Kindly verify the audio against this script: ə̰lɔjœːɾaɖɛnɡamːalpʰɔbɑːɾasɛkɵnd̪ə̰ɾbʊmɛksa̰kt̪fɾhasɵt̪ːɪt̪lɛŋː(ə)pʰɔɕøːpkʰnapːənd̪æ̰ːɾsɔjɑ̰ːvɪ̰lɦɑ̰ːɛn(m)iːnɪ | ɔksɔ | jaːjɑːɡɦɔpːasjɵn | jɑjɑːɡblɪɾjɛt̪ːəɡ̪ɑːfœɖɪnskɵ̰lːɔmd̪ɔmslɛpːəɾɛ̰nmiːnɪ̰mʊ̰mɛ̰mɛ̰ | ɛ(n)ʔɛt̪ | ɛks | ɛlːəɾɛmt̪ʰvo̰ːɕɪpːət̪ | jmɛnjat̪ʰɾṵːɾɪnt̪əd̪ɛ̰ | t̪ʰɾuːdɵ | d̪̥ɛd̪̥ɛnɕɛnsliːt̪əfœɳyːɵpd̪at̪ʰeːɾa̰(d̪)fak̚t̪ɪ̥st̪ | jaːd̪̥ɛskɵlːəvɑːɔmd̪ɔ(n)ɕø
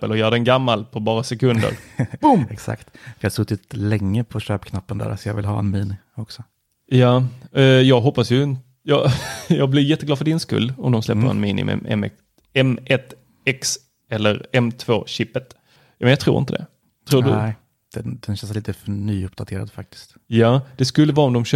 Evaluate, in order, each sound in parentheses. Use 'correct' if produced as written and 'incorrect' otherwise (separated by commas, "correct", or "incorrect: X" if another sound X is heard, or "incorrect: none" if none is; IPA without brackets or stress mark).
correct, correct, incorrect: m, correct, incorrect: m